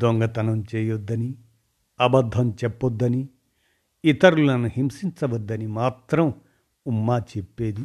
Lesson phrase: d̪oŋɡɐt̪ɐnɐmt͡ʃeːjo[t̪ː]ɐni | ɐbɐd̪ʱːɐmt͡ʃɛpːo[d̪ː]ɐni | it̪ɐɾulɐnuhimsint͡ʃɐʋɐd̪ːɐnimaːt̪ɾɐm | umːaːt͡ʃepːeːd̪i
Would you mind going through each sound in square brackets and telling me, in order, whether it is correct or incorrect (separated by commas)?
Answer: incorrect, correct